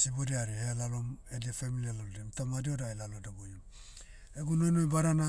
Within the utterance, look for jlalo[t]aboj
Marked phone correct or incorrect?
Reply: incorrect